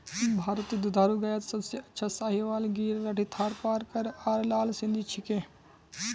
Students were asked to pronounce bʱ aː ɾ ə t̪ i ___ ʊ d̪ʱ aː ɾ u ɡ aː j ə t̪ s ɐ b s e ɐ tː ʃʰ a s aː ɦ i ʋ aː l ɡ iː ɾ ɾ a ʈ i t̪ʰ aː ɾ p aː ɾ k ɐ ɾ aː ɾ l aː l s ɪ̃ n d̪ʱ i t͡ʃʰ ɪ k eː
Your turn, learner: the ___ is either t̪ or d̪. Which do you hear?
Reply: d̪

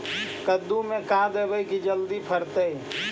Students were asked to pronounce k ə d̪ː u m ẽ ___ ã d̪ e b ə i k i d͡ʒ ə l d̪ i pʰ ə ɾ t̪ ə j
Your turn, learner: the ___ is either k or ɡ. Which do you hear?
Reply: k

